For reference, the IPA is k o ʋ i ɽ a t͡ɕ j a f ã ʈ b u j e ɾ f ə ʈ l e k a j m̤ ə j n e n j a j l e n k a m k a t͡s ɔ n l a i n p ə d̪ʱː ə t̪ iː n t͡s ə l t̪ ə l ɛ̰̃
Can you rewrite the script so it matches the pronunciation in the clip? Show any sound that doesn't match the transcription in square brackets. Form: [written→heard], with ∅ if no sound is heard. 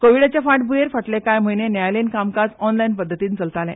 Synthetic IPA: k o ʋ i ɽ a t͡ɕ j a f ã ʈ b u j e ɾ f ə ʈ l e k a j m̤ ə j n e n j a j l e n k a m k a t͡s ɔ n l a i n p ə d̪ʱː ə t̪ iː n t͡s ə l t̪ [ə→a] l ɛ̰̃